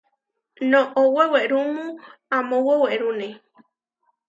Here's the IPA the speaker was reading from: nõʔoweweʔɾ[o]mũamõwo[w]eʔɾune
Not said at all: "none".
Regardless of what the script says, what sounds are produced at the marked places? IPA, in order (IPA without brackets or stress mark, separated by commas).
u, w